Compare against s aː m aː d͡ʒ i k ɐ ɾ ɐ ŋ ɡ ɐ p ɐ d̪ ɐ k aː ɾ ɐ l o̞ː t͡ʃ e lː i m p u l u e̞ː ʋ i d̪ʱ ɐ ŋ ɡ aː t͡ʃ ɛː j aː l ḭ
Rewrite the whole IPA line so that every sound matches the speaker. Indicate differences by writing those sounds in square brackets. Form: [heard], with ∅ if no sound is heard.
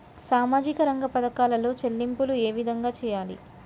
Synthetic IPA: s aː m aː d͡ʒ i k ɐ ɾ ɐ ŋ ɡ ɐ p ɐ d̪ ɐ k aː [l] ɐ l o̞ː t͡ʃ e lː i m p u l u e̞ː ʋ i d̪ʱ ɐ ŋ ɡ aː t͡ʃ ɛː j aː l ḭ